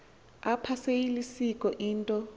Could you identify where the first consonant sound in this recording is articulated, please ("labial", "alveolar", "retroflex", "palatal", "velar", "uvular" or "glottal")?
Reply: labial